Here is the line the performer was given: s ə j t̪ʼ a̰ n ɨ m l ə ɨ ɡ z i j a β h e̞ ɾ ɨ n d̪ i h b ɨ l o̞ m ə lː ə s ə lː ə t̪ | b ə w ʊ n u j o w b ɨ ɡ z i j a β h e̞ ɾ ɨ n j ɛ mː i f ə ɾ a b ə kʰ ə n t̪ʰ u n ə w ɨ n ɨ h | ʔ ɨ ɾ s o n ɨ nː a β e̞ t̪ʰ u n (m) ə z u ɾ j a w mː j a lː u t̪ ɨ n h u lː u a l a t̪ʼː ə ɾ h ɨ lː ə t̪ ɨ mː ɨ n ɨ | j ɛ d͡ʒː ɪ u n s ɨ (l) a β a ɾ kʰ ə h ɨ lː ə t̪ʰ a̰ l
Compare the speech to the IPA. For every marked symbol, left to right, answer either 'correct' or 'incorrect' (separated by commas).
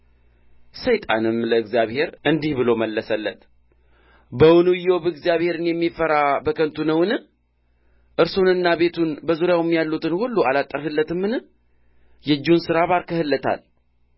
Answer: incorrect, incorrect